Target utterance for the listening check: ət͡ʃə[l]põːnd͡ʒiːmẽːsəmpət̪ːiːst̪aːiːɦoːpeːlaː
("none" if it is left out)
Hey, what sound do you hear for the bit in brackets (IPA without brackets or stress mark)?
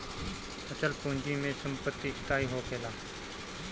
l